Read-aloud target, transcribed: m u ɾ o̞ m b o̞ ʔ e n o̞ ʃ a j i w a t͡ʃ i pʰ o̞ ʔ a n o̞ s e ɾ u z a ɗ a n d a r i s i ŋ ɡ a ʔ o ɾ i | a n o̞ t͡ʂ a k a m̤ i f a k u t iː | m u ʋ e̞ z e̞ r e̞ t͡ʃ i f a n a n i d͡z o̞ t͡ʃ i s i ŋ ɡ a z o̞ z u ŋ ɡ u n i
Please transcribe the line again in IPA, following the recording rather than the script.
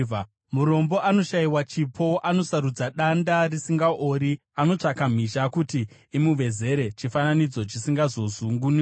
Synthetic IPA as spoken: m u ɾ o̞ m b o̞ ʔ a n o̞ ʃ a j i w a t͡ʃ i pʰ o̞ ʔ a n o̞ s a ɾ u d͡z a ɗ a n d a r i s i ŋ ɡ a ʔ o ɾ i | a n o̞ t͡ʂ a k a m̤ i ʃ a k u t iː | m u ʋ e̞ z e̞ ɾ e̞ t͡ʃ i f a n a n i d͡z o̞ t͡ʃ i s i ŋ ɡ a z o̞ z u ŋ ɡ u n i